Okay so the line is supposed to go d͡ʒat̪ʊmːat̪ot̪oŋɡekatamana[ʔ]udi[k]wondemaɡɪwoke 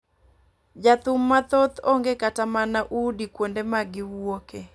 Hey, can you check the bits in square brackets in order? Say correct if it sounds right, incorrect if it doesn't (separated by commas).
correct, correct